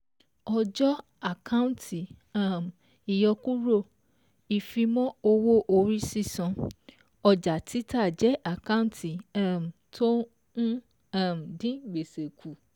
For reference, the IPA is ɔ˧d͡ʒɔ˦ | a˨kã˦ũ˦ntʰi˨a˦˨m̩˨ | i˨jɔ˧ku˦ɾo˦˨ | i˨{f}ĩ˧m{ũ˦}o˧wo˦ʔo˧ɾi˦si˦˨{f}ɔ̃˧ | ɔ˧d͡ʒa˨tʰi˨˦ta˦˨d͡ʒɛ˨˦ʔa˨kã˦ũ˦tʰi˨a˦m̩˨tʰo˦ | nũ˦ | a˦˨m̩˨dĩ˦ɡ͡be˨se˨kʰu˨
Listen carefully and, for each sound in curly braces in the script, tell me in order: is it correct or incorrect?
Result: correct, incorrect: ɔ̃˦, incorrect: s

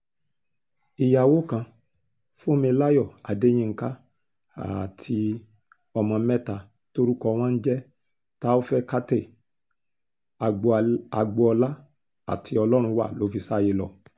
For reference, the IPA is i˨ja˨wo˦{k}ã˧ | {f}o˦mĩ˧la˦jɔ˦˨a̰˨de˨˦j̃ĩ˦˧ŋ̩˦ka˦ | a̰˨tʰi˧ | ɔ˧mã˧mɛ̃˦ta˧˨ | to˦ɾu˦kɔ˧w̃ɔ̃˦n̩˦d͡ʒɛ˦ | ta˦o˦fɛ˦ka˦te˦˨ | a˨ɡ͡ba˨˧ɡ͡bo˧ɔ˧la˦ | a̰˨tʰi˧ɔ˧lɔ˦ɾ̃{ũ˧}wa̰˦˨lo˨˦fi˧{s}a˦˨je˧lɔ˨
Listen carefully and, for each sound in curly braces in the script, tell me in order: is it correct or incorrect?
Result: correct, correct, correct, correct

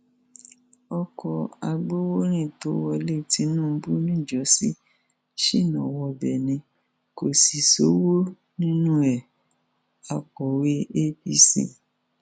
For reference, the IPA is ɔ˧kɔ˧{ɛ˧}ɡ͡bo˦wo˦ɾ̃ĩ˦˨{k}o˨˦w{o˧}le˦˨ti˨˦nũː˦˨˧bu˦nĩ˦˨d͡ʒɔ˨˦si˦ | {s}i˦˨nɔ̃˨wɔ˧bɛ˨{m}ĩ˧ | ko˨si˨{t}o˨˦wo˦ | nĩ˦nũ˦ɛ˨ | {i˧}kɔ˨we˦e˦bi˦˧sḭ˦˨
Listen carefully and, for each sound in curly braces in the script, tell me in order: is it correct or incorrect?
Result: incorrect: a˧, incorrect: t, incorrect: ɔ˧, incorrect: ʃ, incorrect: n, incorrect: s, incorrect: a˧

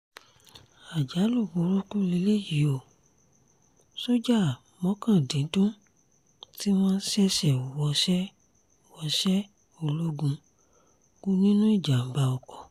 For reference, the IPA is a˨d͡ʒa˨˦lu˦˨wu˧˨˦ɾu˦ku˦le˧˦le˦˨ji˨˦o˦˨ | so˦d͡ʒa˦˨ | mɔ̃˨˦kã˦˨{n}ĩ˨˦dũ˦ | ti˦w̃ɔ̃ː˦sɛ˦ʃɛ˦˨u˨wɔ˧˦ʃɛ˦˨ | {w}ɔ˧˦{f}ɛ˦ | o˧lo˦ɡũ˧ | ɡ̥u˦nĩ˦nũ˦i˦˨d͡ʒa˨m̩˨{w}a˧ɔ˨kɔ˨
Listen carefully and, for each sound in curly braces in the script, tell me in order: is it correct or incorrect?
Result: incorrect: d, correct, incorrect: ʃ, incorrect: b

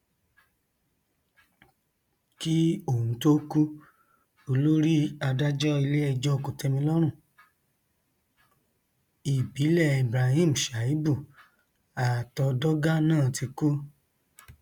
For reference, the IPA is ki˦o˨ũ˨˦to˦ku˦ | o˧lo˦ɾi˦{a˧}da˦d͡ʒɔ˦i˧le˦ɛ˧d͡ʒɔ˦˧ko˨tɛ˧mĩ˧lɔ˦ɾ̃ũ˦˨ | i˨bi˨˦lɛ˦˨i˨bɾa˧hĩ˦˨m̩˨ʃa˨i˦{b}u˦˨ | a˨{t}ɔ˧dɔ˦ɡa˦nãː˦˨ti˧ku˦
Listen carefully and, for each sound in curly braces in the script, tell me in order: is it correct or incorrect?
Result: correct, correct, correct

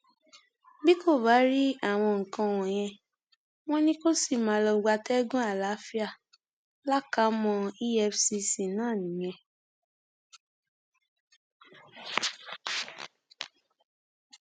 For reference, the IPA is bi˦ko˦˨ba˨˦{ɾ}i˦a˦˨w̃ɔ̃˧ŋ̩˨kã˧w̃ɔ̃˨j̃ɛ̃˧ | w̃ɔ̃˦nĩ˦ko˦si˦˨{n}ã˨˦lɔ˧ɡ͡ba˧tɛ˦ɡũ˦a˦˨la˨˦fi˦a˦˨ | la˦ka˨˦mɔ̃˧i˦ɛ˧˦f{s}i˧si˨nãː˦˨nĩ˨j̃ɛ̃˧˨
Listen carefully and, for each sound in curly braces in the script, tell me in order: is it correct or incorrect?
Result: correct, incorrect: m, correct

